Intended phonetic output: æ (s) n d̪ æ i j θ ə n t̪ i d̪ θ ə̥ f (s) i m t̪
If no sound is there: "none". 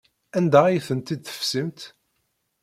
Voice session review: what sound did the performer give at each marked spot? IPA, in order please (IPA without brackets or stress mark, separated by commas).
none, s